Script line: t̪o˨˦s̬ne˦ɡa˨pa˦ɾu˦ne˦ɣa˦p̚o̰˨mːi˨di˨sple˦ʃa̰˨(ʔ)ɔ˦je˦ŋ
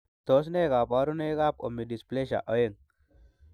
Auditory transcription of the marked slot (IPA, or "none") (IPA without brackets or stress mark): ʔ